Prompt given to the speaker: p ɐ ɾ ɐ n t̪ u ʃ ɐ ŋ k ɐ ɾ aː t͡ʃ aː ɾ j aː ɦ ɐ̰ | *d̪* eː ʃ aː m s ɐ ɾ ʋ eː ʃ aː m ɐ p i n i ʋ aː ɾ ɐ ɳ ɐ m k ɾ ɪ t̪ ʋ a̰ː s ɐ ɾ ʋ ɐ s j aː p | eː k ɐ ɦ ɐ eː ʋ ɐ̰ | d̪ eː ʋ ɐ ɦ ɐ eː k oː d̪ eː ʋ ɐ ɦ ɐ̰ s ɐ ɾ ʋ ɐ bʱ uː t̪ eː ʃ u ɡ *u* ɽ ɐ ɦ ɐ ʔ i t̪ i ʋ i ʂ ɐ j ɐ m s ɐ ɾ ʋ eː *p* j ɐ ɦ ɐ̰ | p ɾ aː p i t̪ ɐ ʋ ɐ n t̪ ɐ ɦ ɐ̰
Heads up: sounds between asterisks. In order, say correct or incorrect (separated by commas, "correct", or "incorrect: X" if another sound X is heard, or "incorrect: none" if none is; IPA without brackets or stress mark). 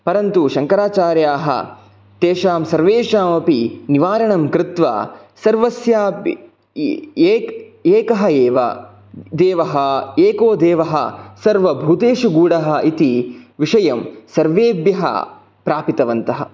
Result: incorrect: t̪, incorrect: uː, incorrect: b